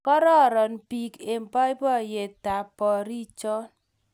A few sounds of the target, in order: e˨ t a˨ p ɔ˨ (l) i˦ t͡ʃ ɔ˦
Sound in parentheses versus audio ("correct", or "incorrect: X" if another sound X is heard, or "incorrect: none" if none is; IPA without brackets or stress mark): incorrect: ɾ